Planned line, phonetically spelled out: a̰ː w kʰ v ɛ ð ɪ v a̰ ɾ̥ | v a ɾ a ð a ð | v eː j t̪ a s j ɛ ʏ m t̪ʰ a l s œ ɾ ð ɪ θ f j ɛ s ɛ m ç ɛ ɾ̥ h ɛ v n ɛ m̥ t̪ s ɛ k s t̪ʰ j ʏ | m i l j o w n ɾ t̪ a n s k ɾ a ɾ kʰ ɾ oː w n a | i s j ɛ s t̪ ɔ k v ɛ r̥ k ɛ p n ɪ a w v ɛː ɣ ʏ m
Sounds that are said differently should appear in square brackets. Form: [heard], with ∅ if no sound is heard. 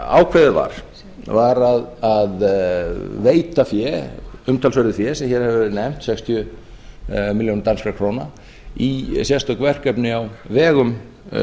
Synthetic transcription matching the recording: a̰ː w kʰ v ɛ ð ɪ v a̰ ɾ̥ | v a ɾ a ð a ð | v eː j t̪ a [f] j ɛ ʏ m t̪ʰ a l s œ ɾ ð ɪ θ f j ɛ s ɛ m ç ɛ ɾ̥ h ɛ v n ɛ m̥ t̪ s ɛ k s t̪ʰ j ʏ | m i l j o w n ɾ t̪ a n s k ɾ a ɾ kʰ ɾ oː w n a | i s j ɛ s t̪ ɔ k v ɛ r̥ k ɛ p n ɪ a w v ɛː ɣ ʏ m